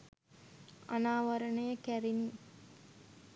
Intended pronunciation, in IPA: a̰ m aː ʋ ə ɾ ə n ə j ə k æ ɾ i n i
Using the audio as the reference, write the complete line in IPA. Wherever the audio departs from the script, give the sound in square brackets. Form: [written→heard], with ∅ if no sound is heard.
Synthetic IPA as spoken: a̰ [m→n] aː ʋ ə ɾ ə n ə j ə k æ ɾ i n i